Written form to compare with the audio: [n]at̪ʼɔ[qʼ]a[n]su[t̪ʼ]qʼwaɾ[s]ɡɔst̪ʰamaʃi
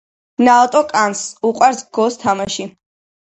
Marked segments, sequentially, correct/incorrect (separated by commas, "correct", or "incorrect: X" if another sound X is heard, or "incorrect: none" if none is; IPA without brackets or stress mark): correct, incorrect: kʼ, correct, incorrect: none, correct